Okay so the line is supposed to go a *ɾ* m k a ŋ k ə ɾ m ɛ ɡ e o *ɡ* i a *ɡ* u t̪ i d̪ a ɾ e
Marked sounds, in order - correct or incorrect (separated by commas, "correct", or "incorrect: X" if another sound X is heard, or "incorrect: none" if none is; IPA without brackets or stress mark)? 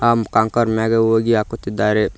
incorrect: none, correct, incorrect: k